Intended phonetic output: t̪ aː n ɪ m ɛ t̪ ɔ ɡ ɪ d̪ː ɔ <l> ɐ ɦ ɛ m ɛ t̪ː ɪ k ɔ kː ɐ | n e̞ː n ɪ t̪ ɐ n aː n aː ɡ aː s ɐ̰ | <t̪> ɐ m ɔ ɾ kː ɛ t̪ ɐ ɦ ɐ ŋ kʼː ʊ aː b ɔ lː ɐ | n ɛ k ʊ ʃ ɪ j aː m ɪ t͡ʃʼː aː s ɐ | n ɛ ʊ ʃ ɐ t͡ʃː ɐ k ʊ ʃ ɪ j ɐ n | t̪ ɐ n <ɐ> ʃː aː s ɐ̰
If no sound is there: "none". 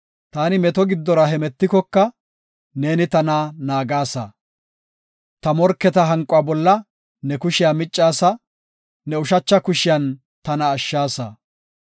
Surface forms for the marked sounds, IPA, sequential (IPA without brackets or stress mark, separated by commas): ɾ, t̪, ɐː